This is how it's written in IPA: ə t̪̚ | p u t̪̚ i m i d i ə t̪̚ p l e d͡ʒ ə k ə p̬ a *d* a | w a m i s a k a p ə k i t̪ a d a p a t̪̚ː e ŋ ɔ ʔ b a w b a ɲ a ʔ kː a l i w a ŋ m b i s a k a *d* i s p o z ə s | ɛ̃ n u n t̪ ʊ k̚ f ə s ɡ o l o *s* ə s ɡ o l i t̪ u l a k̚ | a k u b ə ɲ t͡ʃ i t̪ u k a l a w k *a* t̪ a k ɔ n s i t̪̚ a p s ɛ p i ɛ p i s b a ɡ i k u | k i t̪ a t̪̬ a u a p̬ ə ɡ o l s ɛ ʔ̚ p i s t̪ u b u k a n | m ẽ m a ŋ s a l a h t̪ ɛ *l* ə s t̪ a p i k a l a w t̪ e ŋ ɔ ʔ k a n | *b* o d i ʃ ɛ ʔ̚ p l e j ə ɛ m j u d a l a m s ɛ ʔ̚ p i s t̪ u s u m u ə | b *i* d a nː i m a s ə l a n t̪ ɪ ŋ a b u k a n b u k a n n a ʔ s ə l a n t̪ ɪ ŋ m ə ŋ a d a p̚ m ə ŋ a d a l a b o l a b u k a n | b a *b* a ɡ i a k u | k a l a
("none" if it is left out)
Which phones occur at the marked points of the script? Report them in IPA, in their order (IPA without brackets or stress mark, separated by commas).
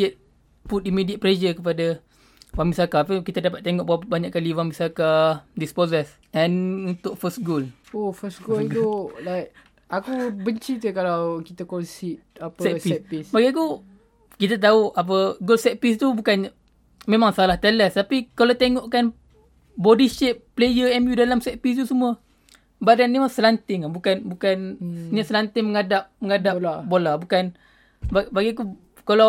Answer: d, d, f, i, l, b, a, b